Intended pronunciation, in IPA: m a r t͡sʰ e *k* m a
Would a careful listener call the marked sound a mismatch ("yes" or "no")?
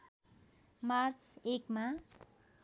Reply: no